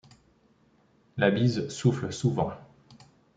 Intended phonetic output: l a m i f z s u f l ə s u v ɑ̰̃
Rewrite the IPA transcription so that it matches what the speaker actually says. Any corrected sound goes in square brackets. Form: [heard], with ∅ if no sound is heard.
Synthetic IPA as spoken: l a [b] i [∅] z s u f l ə s u v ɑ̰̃